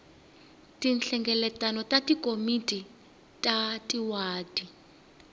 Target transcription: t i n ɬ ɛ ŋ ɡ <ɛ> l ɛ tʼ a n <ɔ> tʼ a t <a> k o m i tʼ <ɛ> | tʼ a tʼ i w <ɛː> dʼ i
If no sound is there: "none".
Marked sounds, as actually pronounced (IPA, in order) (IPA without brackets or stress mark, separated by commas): ɛ, ɔ, i, i, aː